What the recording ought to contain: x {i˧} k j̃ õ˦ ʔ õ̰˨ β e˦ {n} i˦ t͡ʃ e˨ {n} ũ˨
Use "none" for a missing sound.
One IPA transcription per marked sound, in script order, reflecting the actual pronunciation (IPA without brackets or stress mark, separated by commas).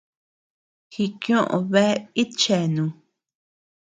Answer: i˧, none, n